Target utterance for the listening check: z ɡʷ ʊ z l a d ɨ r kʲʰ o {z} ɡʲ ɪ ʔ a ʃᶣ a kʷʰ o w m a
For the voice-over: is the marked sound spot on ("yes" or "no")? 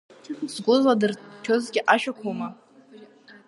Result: yes